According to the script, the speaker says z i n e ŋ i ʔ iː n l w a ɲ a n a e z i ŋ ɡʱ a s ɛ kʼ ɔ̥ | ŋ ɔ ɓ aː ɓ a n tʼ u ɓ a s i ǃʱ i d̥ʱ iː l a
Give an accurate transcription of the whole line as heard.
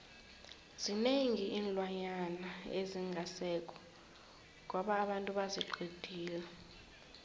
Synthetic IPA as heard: z i n e ŋ i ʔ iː n l w a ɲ a n a e z i ŋ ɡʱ a s ɛ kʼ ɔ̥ | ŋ ɔ ɓ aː ɓ a n tʼ u ɓ a z i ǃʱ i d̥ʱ iː l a